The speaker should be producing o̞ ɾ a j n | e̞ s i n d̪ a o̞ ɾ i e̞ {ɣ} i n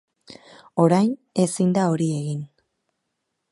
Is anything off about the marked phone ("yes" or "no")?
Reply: no